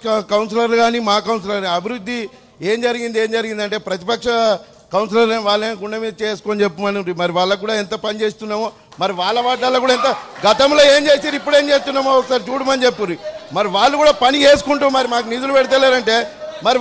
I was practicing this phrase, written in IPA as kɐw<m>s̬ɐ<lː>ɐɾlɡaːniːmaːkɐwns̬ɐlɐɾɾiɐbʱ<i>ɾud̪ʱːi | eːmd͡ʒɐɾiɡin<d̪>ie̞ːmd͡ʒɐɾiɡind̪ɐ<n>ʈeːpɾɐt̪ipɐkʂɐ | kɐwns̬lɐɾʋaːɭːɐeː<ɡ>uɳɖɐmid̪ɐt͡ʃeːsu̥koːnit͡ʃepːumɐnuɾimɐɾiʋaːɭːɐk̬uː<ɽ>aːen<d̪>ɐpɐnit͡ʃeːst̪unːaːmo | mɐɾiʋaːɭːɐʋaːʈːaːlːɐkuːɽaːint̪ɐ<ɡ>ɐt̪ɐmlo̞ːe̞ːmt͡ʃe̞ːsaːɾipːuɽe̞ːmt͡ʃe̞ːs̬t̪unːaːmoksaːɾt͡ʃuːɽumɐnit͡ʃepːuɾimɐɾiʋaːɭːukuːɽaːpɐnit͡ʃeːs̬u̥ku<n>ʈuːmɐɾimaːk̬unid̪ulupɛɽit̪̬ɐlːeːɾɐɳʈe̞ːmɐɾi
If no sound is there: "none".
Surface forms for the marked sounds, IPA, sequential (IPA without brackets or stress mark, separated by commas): n, l, i, d̪, ɳ, ɡ, ɽ, t̪, ɡ, ɳ